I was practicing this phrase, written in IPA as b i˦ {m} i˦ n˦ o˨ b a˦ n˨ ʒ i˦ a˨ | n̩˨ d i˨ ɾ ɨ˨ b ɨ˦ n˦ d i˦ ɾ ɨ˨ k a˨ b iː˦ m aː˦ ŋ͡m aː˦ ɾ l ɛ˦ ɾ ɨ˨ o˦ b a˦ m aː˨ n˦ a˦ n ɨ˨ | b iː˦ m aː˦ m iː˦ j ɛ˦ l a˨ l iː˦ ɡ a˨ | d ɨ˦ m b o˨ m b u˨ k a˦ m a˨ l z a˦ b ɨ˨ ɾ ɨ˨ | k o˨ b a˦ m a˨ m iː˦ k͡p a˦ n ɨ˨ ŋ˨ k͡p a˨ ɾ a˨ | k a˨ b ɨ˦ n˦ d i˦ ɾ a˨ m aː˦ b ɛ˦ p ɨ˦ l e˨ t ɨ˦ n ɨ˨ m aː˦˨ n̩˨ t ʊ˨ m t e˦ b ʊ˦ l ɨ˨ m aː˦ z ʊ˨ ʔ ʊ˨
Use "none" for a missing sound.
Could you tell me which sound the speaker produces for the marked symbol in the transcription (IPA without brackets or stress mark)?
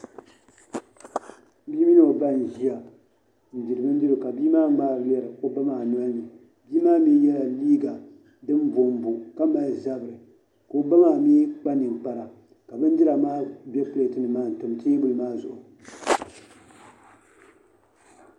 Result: m